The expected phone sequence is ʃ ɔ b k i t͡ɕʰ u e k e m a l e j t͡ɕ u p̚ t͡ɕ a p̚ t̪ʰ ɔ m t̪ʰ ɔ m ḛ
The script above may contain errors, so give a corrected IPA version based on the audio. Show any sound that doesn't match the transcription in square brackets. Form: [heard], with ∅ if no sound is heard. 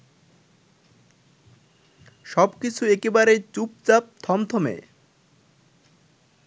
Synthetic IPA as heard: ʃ ɔ b k i t͡ɕʰ u e k e [b] a [ɾ] e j t͡ɕ u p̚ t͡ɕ a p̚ t̪ʰ ɔ m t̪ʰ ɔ m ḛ